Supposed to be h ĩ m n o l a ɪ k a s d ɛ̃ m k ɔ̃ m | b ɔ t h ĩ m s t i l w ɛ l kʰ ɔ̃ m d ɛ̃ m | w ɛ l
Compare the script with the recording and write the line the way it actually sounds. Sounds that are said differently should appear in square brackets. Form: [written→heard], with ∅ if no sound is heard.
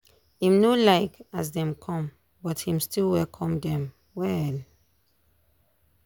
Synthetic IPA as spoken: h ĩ m n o l a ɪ k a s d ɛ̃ m [k→kʰ] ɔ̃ m | b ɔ t h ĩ m s t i l w ɛ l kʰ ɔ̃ m d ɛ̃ m | w ɛ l